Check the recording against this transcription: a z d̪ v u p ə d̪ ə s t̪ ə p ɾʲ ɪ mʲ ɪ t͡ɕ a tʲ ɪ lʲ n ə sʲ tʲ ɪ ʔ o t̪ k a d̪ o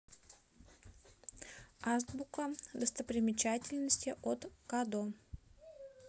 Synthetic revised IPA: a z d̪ b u k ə d̪ ə s t̪ ə p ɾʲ ɪ mʲ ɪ t͡ɕ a tʲ ɪ lʲ n ə sʲ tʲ ɪ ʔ o t̪ k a d̪ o